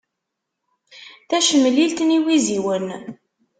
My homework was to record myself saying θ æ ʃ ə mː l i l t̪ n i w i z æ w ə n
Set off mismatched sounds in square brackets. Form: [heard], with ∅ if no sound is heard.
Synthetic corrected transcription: θ æ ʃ ə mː l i l t̪ n i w i z [i] w ə n